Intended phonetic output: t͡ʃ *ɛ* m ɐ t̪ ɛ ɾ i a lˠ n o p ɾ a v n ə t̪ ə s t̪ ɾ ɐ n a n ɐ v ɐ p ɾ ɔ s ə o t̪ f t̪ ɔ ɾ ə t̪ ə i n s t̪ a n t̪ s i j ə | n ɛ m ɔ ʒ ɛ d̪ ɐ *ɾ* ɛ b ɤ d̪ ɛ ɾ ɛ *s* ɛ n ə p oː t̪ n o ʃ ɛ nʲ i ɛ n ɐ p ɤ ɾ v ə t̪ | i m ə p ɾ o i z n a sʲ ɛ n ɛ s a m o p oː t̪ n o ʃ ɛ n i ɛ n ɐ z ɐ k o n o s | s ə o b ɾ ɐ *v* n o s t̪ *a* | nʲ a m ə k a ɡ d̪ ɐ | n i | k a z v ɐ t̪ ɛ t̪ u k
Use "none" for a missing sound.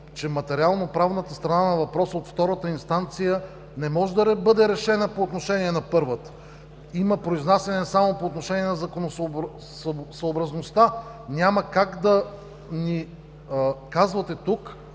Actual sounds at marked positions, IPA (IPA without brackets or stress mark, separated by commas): ɛ, ɾ, ʃ, z, a